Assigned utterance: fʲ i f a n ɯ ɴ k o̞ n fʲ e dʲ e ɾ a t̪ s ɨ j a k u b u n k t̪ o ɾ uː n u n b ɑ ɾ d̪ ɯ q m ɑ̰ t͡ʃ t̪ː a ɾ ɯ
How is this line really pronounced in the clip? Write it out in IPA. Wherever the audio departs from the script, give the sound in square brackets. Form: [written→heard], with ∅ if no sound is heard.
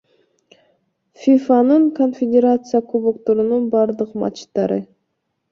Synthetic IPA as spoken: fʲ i f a n ɯ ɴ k o̞ n fʲ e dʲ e ɾ a t̪ s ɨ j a k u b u [n→∅] k t̪ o ɾ [uː→u] n u n b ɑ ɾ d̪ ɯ q m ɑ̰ t͡ʃ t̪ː [a→ɑ] ɾ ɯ